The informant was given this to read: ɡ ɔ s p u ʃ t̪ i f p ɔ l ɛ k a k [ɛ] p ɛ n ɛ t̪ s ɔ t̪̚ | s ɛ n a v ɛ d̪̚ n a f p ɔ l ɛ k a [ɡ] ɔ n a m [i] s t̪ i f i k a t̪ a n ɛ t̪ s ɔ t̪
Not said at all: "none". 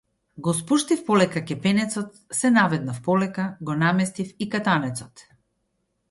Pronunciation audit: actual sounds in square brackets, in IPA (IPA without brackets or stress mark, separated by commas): ɛ, ɡ, ɛ